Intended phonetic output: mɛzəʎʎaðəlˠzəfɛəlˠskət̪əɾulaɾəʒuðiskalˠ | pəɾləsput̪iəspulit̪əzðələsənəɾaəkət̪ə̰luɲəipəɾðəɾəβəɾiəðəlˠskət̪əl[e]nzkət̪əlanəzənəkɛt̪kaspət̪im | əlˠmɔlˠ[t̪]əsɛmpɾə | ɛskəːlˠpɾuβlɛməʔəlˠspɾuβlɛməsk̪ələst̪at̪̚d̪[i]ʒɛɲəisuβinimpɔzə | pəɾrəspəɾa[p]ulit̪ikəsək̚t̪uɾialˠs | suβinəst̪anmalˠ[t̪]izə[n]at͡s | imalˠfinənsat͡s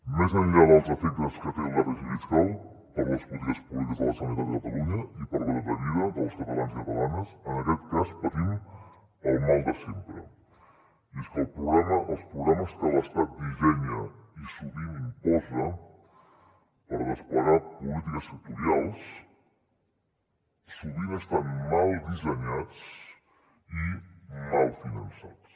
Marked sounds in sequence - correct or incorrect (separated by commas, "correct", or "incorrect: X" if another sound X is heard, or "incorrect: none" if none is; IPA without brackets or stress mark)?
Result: incorrect: a, incorrect: d̪, correct, correct, incorrect: d̪, incorrect: ɲ